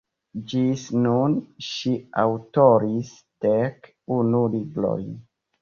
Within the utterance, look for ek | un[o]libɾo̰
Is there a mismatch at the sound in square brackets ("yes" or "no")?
yes